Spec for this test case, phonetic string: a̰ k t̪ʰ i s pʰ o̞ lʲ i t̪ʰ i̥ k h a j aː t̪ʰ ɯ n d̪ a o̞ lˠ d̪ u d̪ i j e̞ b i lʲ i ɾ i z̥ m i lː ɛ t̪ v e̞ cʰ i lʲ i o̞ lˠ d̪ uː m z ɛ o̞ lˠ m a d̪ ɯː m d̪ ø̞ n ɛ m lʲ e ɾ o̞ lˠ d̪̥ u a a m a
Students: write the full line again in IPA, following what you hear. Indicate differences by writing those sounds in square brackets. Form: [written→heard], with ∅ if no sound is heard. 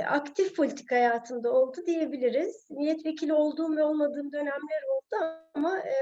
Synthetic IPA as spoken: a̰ k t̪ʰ i [s→f] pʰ o̞ lʲ i t̪ʰ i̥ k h a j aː t̪ʰ ɯ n d̪ a o̞ lˠ d̪ u d̪ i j e̞ b i lʲ i ɾ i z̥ m i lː ɛ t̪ v e̞ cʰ i lʲ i o̞ lˠ d̪ uː m [z→v] ɛ o̞ lˠ m a d̪ ɯː m d̪ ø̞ n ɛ m lʲ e ɾ o̞ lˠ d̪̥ u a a m a